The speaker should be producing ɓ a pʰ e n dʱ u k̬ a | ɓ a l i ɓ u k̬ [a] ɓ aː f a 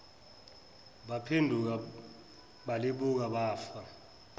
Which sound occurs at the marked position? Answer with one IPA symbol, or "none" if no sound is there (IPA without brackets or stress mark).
a